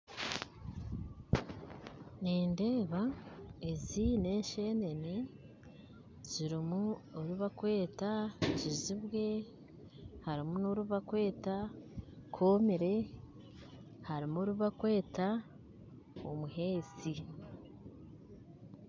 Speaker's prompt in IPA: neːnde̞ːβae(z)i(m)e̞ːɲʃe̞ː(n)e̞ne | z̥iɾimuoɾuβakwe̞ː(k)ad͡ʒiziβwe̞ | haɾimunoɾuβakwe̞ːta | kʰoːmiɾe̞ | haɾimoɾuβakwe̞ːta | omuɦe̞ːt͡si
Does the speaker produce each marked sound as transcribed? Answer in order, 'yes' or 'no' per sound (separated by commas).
yes, no, yes, no